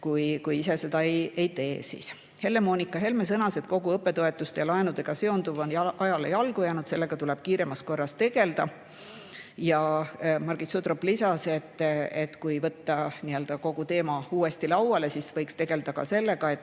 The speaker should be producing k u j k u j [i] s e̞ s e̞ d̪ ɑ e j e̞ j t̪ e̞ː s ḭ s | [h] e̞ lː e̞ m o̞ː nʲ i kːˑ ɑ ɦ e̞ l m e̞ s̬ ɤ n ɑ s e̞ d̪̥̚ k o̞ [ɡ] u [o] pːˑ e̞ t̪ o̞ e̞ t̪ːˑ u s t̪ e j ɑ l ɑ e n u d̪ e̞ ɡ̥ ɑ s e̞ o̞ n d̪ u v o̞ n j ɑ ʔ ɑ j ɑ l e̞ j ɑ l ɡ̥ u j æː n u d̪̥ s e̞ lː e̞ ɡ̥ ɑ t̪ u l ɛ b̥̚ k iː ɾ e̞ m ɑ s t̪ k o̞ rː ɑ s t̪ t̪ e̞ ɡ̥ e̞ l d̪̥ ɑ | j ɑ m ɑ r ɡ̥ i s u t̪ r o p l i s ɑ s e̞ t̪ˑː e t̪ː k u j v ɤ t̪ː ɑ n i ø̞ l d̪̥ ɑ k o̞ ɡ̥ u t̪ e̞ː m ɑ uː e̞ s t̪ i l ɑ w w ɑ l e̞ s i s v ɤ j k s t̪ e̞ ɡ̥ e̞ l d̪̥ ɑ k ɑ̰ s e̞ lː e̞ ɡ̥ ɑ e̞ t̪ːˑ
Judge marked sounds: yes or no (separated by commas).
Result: yes, yes, yes, no